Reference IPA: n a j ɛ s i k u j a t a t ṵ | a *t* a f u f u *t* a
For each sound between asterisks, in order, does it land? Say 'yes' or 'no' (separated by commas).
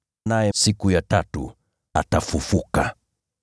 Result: yes, no